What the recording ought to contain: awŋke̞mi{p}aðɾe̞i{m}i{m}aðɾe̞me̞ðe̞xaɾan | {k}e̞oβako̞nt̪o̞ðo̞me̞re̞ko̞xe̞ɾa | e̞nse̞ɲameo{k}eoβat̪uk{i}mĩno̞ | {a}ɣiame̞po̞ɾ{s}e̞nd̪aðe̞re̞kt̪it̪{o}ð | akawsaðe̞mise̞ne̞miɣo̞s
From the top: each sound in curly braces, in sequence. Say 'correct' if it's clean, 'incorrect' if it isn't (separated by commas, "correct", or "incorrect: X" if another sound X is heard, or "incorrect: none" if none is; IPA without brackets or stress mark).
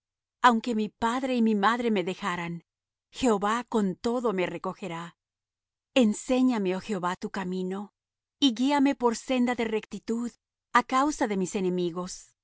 correct, correct, correct, incorrect: x, incorrect: x, incorrect: a, incorrect: i, correct, incorrect: u